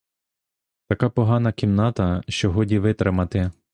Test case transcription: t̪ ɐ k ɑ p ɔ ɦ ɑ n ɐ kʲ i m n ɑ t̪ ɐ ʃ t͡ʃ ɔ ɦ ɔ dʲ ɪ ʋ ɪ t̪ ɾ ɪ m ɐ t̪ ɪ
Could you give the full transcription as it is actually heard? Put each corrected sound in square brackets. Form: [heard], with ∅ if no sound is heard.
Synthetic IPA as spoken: t̪ ɐ k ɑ p ɔ ɦ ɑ n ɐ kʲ i m n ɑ t̪ ɐ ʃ t͡ʃ ɔ ɦ ɔ dʲ [i] ʋ ɪ t̪ ɾ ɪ m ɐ t̪ ɪ